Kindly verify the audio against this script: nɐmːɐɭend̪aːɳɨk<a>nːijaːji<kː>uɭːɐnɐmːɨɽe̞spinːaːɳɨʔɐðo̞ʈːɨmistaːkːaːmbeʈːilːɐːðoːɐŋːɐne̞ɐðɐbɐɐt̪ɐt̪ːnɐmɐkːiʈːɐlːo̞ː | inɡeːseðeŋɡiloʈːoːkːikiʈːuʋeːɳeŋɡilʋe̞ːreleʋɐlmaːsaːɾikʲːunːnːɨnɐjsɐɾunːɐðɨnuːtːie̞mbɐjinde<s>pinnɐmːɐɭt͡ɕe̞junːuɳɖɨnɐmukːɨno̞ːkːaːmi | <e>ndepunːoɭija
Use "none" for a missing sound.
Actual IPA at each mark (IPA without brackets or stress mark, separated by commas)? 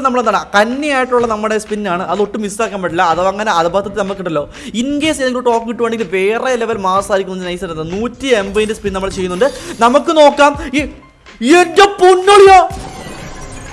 ɐ, ʈː, s, e